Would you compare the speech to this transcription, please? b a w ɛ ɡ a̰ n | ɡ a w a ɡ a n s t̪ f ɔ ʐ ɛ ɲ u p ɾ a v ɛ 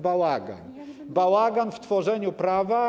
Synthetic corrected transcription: b a w a ɡ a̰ n | b a w a ɡ a n f t̪ f ɔ ʐ ɛ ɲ u p ɾ a v a